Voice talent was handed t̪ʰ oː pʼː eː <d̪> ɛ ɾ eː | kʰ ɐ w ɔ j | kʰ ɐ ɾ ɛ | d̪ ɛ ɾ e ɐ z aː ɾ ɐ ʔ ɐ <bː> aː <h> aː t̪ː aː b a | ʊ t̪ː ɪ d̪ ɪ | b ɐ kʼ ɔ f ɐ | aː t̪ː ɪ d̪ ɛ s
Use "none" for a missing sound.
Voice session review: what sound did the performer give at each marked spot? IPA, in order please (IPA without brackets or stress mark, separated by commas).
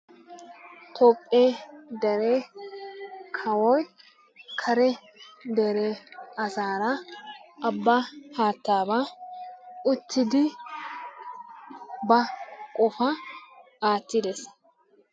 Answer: d̪, bː, h